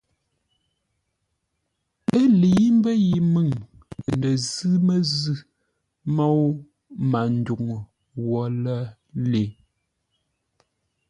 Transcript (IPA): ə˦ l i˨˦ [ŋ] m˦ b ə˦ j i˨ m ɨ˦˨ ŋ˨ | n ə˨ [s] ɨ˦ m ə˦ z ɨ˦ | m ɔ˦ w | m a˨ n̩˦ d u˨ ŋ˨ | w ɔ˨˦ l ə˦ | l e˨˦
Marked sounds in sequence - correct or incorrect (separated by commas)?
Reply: incorrect, incorrect